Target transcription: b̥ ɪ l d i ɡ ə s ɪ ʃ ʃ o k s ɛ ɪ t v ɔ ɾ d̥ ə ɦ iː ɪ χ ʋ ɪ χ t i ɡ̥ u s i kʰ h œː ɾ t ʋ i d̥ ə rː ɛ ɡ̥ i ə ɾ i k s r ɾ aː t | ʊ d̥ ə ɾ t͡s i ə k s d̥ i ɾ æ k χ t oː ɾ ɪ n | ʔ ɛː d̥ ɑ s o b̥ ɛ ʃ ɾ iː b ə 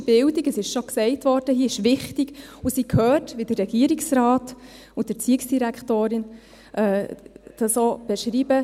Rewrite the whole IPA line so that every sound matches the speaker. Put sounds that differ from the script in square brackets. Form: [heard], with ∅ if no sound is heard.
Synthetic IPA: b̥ ɪ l d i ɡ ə s ɪ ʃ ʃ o k s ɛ ɪ t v ɔ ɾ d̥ ə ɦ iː ɪ [ʃ] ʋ ɪ χ t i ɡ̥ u s i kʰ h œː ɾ t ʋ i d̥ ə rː ɛ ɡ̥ i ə ɾ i k s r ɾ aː t | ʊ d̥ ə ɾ t͡s i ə k s d̥ i ɾ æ k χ t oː ɾ ɪ n | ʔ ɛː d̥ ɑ s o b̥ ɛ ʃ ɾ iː b ə